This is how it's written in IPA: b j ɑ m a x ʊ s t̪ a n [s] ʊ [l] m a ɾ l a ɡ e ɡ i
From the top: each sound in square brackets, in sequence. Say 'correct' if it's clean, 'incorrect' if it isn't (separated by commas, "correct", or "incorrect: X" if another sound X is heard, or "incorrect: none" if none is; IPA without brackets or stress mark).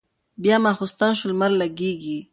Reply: incorrect: ʃ, correct